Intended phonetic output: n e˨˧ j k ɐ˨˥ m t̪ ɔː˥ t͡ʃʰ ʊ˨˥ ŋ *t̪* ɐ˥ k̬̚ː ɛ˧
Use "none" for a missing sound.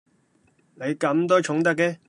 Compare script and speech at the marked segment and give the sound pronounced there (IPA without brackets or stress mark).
t̪